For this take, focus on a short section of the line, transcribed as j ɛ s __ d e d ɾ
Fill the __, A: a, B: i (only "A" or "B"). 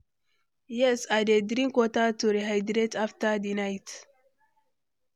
A